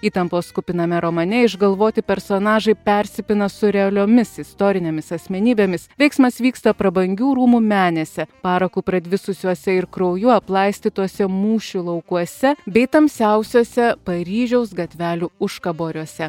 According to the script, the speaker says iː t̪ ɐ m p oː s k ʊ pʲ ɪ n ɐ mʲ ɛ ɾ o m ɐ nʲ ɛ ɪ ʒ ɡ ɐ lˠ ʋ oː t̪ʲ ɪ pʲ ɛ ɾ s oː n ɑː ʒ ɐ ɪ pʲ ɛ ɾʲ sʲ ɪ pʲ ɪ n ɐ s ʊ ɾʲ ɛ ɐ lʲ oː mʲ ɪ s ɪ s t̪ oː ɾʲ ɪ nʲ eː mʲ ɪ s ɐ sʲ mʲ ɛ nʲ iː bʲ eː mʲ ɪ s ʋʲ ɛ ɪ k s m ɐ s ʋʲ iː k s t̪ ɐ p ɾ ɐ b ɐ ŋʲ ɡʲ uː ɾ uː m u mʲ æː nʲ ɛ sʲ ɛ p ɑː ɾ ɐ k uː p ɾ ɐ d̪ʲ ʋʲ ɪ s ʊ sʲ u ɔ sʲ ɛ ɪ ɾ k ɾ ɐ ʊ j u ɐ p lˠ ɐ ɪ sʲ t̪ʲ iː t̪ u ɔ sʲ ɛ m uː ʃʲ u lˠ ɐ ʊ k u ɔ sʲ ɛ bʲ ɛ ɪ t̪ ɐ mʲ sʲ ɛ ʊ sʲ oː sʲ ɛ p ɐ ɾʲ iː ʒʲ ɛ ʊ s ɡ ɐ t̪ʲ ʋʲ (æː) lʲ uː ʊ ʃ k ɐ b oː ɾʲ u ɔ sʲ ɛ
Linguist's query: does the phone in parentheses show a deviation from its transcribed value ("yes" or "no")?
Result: no